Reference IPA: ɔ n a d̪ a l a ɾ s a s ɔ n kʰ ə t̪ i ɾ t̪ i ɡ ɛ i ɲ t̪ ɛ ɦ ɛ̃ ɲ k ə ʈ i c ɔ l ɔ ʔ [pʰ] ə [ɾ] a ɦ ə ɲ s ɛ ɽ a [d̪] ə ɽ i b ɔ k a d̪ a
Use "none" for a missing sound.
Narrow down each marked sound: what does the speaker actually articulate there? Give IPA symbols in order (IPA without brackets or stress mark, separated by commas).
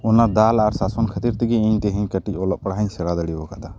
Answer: p, ɽ, d̪